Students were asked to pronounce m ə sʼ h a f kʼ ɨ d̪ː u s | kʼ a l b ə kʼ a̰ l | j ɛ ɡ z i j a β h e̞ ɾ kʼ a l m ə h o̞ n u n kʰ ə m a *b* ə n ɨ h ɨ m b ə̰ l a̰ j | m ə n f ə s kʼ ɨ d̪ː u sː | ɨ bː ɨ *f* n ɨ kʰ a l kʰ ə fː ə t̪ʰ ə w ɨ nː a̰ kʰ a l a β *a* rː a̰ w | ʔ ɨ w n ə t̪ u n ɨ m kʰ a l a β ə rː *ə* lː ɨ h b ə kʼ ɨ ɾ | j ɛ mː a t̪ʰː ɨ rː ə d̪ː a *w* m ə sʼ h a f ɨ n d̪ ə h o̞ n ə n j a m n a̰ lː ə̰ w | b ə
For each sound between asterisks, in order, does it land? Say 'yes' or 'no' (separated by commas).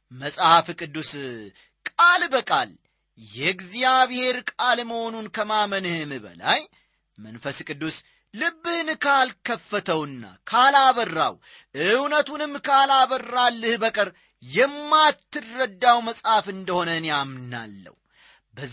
no, no, no, no, yes